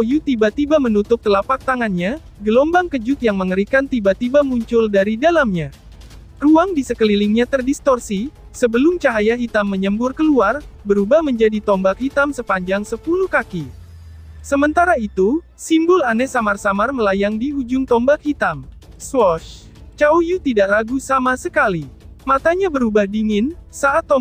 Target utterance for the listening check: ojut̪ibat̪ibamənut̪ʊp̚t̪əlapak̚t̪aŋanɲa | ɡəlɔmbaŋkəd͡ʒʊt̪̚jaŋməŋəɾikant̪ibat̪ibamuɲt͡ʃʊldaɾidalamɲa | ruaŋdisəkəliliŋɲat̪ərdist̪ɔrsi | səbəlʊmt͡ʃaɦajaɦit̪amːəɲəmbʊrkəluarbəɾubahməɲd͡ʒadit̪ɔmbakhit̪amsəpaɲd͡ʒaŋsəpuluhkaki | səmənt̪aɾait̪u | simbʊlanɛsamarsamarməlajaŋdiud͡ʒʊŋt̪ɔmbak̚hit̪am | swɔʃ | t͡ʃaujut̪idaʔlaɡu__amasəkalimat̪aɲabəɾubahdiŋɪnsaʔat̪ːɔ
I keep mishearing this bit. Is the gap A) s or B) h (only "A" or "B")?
A